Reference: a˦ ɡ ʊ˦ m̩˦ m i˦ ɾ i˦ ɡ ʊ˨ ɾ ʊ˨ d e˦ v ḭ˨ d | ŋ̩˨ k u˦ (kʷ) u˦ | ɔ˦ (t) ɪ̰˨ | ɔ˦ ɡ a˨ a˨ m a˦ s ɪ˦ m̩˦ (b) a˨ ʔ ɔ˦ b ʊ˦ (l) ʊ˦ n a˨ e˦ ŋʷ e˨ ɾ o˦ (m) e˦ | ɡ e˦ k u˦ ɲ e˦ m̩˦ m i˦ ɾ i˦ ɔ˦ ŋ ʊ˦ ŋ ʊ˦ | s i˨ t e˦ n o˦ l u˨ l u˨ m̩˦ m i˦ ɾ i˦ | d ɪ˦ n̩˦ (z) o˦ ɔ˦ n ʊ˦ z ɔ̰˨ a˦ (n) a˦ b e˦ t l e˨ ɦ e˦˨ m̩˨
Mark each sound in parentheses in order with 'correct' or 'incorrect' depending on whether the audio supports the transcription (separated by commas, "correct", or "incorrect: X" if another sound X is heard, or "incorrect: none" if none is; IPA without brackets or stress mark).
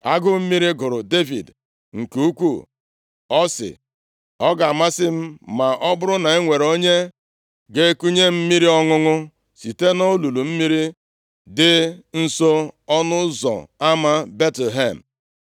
correct, incorrect: s, incorrect: m, incorrect: ɾ, incorrect: ɲ, incorrect: s, incorrect: m